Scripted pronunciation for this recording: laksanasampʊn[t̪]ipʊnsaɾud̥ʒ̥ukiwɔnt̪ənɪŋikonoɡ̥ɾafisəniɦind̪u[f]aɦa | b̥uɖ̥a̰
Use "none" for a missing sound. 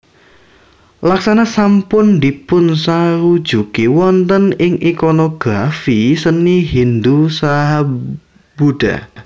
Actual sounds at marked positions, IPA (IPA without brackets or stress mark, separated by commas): d̪, s